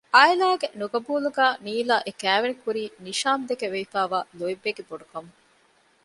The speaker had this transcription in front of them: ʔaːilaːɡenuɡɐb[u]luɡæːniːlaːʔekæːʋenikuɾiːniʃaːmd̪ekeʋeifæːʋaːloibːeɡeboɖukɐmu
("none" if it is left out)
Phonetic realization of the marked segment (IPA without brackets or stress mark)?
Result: uː